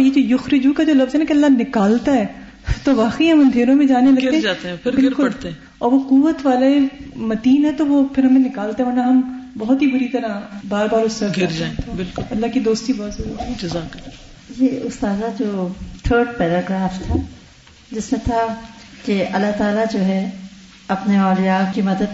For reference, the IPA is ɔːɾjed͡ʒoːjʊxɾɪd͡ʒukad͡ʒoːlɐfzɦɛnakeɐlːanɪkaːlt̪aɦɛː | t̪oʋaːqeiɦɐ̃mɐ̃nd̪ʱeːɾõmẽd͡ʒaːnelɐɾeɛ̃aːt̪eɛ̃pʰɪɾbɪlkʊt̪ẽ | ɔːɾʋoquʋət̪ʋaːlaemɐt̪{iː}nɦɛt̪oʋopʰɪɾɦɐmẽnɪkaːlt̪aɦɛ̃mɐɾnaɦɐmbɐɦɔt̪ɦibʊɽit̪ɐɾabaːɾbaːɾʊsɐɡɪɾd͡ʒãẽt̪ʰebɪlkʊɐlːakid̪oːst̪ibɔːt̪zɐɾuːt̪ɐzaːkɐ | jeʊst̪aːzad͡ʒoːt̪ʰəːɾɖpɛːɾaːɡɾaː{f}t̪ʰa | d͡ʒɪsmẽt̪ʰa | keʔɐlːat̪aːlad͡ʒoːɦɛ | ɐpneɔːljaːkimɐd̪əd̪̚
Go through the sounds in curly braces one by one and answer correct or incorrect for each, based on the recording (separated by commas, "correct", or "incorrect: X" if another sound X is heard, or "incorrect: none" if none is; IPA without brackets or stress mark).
correct, correct